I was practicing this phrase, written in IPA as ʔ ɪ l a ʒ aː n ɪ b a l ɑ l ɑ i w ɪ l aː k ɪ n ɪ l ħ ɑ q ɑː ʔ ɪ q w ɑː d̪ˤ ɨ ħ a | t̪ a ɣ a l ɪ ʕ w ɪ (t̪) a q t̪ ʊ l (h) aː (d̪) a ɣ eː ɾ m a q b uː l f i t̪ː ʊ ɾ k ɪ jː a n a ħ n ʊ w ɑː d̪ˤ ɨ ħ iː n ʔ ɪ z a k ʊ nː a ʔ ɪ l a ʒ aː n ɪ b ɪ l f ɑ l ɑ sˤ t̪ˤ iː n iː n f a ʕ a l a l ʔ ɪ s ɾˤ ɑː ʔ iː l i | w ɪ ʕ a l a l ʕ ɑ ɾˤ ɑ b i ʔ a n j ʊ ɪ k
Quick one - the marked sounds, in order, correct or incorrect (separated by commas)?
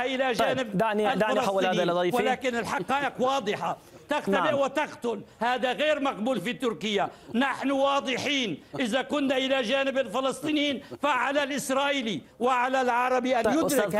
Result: correct, correct, correct